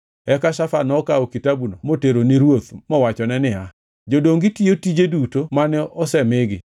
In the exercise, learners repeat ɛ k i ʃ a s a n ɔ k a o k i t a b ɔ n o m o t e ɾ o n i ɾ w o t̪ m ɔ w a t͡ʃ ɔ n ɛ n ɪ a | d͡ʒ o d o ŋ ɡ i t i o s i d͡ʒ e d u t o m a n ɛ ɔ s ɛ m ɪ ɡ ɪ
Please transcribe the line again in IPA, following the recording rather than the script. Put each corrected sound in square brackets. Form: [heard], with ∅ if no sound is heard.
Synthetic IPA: ɛ k [a] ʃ a [f] a n ɔ k a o k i t a b [u] n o m o t e ɾ o n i ɾ w o t̪ m ɔ w a t͡ʃ ɔ n ɛ n ɪ a | d͡ʒ o d o ŋ ɡ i t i o [t] i d͡ʒ e d u t o m a n ɛ ɔ s ɛ m ɪ ɡ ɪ